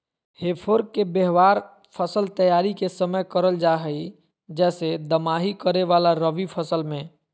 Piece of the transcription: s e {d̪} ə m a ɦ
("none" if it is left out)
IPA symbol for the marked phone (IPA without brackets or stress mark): d̪